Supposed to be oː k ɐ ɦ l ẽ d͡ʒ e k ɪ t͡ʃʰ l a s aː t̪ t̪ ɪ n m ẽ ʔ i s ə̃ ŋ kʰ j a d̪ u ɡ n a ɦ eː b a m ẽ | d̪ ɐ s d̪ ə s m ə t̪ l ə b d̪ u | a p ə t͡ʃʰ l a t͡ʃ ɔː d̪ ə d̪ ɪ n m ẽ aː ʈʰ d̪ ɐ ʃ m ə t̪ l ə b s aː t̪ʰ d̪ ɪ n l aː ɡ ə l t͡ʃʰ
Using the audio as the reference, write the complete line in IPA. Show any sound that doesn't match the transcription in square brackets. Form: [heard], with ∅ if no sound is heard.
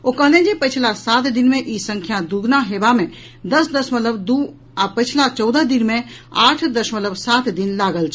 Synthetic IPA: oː k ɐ ɦ l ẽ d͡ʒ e [p] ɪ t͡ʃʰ l a s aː t̪ [d̪] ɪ n m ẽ ʔ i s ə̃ ŋ kʰ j a d̪ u ɡ n a ɦ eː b a m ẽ | d̪ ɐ s d̪ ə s m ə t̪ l ə b d̪ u | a p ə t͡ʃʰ l a t͡ʃ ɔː d̪ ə d̪ ɪ n m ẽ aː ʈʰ d̪ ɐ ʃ m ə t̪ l ə b s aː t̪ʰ d̪ ɪ n l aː ɡ ə l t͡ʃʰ